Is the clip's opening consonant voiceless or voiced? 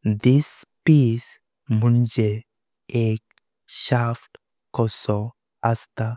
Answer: voiced